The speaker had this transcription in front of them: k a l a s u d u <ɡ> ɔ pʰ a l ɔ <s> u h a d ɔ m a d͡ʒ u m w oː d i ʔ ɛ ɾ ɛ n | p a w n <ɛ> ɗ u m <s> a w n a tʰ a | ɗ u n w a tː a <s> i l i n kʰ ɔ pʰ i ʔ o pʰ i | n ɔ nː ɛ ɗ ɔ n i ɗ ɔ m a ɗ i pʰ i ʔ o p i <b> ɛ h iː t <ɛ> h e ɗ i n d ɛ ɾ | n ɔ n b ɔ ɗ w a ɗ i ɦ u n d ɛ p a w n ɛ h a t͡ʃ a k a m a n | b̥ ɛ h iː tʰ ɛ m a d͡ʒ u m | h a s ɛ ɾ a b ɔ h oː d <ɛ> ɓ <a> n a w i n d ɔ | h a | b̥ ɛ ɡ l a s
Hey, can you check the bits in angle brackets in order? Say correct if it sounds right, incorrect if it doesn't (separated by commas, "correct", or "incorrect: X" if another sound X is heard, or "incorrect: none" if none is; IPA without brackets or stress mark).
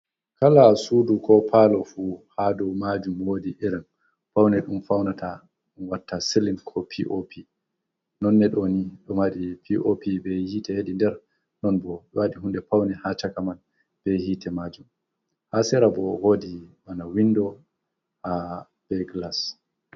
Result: incorrect: k, incorrect: f, correct, incorrect: f, correct, correct, correct, incorrect: i, correct